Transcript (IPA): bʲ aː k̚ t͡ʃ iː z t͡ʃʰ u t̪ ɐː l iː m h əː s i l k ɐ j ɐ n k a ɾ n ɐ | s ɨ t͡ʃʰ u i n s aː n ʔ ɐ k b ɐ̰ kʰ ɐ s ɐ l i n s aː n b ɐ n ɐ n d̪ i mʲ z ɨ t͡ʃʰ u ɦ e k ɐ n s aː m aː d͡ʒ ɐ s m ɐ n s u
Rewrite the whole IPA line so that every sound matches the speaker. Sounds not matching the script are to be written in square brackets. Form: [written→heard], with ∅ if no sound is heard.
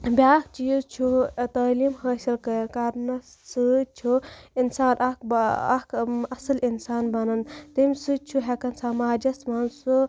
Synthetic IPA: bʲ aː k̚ t͡ʃ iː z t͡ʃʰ u t̪ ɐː l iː m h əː s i l k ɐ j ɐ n k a ɾ n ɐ | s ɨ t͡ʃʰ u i n s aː n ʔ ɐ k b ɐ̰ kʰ ɐ s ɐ l i n s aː n b ɐ n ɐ n [d̪→t̪] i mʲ [z→s] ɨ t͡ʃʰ u ɦ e k ɐ n s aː m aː d͡ʒ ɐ s m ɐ n s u

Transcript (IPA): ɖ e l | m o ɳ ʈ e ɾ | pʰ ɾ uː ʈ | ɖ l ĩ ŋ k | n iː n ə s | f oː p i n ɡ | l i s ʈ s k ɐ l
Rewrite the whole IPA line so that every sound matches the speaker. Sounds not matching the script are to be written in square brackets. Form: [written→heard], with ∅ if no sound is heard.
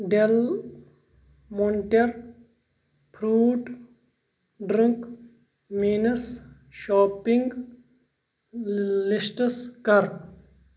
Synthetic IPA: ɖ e l | m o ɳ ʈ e ɾ | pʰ ɾ uː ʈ | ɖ [l→ɾ] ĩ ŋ k | [n→m] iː n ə s | [f→ʃ] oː p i [n→ŋ] ɡ | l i s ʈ s k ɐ [l→ɾ]

